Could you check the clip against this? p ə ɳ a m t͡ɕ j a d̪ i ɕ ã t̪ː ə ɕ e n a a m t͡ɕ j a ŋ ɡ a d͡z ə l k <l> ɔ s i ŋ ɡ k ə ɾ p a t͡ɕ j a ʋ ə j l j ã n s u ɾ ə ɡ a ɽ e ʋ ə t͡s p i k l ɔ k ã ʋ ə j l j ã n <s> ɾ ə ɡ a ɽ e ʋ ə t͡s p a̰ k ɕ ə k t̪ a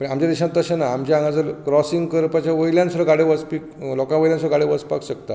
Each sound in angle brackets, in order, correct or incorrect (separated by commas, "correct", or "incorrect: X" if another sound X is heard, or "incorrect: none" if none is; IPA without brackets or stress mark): incorrect: ɾ, correct